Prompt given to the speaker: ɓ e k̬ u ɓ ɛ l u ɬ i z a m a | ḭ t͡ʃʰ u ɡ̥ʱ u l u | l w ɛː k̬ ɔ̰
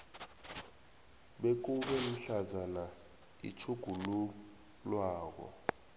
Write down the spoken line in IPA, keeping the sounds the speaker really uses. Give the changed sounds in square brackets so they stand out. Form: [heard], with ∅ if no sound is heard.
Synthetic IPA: ɓ e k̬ u ɓ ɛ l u ɬ [a] z a [n] a | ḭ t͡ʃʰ u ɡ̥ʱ u l u | l w [aː] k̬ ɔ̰